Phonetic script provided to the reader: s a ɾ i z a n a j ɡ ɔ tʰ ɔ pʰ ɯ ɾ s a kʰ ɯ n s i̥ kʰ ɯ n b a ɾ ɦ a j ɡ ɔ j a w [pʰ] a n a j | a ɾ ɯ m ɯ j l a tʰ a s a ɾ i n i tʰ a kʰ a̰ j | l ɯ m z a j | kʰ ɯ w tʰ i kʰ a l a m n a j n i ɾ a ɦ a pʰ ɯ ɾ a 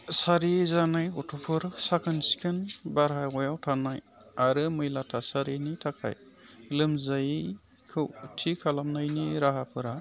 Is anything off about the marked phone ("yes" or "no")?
yes